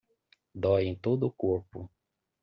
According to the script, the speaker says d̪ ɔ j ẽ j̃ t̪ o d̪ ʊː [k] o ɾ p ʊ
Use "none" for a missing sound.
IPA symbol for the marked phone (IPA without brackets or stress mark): k